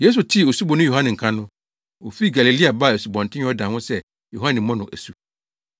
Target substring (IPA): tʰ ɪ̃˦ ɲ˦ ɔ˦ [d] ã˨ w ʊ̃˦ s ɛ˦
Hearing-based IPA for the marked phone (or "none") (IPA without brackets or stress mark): d